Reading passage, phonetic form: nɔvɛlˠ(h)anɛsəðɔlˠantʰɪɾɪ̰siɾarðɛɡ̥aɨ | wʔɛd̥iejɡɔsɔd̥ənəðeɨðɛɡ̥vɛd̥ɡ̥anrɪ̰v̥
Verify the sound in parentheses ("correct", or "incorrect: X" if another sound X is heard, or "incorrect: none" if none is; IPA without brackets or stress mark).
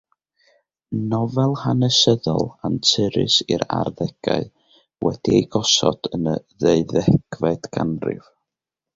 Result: correct